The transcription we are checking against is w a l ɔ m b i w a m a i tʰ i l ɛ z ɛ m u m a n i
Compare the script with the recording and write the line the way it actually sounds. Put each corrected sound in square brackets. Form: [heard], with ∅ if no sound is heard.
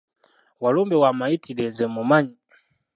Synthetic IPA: w a l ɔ m b [ɛ] w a m a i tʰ i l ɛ z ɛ m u m a [ɲ] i